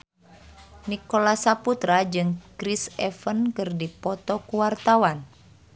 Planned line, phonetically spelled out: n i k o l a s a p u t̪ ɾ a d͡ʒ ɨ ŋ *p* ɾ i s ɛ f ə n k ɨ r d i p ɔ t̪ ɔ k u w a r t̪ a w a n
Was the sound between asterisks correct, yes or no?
no